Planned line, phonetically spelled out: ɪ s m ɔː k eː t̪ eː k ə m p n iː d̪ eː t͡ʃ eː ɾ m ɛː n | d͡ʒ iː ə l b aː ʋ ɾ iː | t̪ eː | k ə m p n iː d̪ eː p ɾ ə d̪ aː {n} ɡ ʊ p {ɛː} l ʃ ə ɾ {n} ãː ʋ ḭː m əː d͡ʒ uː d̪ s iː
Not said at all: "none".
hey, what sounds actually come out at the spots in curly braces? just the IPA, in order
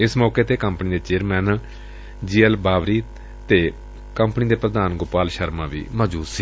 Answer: n, aː, m

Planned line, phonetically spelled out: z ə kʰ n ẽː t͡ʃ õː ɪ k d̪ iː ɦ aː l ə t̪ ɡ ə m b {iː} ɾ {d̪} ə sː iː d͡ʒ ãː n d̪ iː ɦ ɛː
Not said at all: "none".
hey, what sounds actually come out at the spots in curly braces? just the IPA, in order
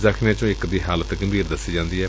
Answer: iː, d̪

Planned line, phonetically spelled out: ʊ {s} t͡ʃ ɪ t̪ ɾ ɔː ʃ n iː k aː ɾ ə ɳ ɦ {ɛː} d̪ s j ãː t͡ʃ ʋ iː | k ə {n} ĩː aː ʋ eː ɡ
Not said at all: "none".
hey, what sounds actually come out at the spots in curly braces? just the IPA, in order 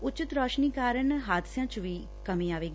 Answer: none, aː, m

